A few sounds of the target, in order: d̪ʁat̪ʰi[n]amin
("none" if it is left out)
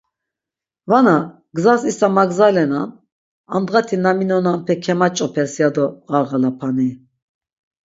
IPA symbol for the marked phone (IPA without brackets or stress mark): n